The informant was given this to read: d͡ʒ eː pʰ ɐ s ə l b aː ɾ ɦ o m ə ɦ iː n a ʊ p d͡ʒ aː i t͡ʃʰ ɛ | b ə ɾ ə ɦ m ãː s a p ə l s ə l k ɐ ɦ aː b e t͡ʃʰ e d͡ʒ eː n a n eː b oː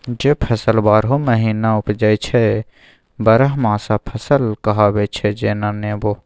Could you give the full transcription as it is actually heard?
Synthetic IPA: d͡ʒ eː pʰ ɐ s ə l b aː ɾ ɦ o m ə ɦ iː n a ʊ p d͡ʒ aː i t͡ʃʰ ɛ | b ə ɾ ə ɦ m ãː s a pʰ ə s ə l k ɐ ɦ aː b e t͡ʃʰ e d͡ʒ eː n a n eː b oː